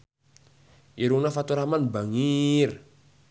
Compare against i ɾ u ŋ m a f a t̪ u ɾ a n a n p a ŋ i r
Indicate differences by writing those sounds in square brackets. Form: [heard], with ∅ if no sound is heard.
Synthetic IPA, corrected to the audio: i ɾ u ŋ [n] a f a t̪ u ɾ a [m] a n [b] a ŋ i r